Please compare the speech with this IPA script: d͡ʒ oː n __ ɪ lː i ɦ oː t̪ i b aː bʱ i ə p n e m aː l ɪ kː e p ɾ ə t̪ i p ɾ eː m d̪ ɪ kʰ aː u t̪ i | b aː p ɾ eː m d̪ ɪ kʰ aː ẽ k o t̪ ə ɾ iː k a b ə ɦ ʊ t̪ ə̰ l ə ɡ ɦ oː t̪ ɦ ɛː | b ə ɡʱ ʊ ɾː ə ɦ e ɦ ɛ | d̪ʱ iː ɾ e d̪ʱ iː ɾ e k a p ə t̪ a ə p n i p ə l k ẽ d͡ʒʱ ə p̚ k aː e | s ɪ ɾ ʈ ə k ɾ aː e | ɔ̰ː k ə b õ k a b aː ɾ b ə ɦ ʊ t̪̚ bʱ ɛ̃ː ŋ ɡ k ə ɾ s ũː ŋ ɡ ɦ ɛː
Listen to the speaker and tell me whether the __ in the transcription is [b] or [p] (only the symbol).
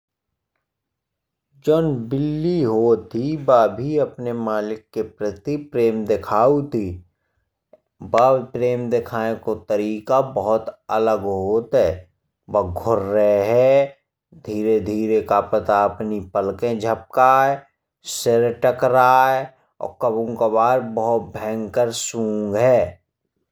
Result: b